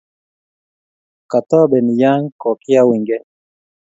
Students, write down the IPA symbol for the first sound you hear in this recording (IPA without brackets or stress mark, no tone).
k